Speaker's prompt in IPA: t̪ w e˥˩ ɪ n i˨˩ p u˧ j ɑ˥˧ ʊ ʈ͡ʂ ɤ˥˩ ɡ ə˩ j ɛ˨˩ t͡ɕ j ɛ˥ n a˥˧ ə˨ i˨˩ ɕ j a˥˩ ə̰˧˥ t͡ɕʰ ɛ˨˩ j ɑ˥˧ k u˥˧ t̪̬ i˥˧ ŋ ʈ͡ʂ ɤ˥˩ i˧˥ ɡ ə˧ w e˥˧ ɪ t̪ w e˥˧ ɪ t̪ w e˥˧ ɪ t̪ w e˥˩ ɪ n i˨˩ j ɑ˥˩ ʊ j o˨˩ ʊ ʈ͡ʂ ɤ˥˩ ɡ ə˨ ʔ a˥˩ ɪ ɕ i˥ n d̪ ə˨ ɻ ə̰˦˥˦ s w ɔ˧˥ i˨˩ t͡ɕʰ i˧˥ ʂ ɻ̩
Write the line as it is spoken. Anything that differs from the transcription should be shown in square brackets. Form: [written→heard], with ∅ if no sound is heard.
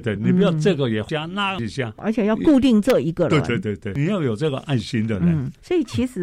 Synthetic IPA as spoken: t̪ w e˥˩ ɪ n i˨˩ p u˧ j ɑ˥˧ ʊ ʈ͡ʂ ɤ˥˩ ɡ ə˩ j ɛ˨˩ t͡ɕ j [ɛ˥→a˥] n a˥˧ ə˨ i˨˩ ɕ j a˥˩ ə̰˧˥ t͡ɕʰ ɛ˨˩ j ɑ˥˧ k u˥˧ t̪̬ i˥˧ ŋ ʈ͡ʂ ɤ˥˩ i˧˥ ɡ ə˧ w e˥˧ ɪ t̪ w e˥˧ ɪ t̪ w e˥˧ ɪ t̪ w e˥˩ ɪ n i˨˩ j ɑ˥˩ ʊ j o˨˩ ʊ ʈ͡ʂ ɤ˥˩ ɡ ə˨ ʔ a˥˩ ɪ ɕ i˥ n d̪ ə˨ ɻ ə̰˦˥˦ s w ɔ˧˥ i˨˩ t͡ɕʰ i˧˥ ʂ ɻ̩